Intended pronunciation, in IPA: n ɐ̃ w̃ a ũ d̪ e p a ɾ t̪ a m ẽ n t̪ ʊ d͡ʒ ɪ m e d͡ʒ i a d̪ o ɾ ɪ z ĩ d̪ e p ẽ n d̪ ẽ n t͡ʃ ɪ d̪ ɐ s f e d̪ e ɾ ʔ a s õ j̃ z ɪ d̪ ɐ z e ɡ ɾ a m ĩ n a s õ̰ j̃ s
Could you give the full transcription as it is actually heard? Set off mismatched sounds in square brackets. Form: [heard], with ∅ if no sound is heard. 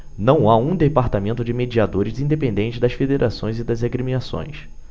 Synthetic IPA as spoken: n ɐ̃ w̃ a ũ d̪ e p a ɾ t̪ a m ẽ n t̪ ʊ d͡ʒ ɪ m e d͡ʒ i a d̪ o ɾ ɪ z ĩ d̪ e p ẽ n d̪ ẽ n t͡ʃ ɪ d̪ ɐ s f e d̪ e ɾ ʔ a s õ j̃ z ɪ d̪ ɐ z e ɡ ɾ [i] m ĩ n a s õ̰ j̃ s